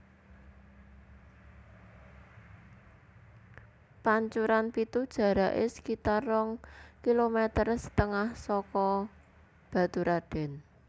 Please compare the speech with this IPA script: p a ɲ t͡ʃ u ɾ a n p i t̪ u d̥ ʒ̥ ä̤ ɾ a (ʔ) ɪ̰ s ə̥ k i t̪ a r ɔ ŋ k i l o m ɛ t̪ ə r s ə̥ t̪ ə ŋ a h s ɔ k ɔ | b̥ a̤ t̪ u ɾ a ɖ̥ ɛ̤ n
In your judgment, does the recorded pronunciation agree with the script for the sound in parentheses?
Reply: yes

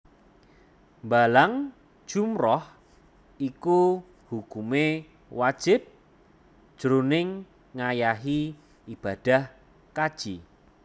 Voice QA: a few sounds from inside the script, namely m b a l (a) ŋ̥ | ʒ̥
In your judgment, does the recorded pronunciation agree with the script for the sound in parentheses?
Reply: yes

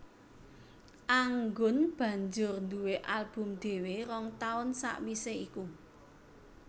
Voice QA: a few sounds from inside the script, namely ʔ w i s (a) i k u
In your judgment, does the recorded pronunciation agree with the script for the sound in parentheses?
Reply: no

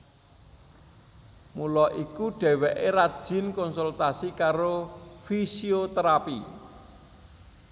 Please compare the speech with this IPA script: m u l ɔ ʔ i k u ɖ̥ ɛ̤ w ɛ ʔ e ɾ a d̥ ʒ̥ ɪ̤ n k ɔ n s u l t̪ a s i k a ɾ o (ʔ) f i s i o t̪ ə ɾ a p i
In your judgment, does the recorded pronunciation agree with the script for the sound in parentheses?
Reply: no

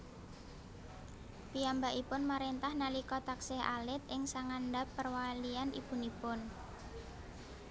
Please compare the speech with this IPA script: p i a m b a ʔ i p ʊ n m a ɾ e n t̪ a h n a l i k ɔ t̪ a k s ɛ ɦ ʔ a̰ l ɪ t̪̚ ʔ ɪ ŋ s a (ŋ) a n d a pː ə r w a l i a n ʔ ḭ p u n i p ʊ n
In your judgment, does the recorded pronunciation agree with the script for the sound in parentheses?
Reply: yes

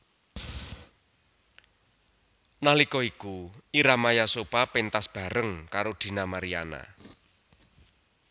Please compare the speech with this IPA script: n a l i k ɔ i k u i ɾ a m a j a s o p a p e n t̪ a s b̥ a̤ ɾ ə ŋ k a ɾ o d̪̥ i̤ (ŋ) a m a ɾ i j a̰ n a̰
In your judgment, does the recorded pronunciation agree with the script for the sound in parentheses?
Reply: no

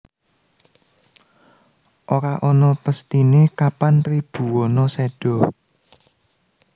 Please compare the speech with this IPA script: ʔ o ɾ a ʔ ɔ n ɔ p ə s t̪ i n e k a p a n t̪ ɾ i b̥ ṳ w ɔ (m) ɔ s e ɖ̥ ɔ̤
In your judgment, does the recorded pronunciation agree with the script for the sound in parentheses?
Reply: no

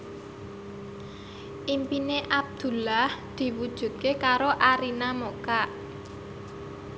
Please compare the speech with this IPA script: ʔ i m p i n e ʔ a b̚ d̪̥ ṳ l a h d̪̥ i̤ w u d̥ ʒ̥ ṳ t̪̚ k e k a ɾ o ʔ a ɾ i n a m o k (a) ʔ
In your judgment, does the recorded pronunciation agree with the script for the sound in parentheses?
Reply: yes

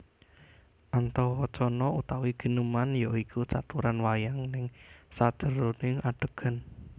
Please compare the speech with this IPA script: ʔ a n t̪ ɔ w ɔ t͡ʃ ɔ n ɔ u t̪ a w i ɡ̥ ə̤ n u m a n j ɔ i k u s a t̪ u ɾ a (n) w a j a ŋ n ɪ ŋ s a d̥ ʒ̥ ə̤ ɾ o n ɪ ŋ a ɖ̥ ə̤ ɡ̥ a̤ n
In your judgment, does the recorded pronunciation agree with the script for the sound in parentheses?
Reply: yes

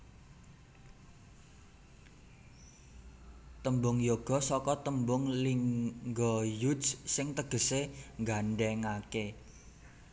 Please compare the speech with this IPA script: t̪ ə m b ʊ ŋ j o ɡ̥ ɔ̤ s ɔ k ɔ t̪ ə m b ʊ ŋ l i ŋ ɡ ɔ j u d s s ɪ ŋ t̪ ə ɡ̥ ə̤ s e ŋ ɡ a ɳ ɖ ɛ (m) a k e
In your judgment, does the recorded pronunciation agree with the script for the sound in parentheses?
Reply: no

